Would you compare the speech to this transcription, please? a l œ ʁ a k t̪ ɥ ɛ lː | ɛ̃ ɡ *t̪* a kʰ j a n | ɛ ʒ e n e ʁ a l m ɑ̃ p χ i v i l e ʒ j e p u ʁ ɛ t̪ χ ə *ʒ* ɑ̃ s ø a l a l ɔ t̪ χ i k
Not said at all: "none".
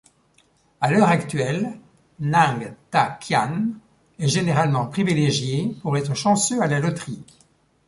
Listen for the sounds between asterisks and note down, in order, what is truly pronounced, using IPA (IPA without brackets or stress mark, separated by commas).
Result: t̪, ʃ